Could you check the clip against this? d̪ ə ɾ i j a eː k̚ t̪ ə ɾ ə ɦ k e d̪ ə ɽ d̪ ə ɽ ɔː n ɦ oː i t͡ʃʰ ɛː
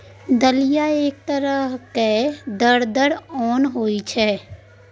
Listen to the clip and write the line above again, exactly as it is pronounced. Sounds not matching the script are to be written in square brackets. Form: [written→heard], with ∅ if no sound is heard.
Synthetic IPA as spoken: d̪ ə [ɾ→l] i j a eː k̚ t̪ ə ɾ ə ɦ k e d̪ ə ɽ d̪ ə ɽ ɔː n ɦ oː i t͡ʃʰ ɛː